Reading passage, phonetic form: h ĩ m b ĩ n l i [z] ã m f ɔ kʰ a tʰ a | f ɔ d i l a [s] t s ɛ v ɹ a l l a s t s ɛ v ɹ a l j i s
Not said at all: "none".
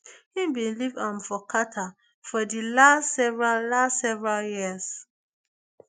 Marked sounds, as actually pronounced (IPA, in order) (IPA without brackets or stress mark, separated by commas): v, s